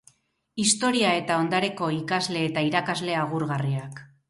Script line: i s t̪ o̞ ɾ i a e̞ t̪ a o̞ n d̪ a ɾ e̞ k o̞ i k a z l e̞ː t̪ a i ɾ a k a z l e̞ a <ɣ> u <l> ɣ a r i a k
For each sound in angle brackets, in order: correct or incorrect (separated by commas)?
correct, incorrect